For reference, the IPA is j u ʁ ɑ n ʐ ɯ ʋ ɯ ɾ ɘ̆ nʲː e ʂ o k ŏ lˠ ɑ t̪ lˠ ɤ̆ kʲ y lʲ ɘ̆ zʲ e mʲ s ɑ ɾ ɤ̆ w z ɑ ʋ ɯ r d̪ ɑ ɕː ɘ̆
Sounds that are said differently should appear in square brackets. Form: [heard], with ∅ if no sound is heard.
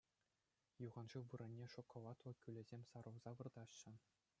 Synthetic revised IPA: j u ʁ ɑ n ʐ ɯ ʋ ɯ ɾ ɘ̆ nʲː e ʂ o k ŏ lˠ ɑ t̪ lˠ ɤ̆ kʲ y lʲ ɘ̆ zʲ e mʲ s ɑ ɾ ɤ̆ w z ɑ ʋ ɯ r d̪ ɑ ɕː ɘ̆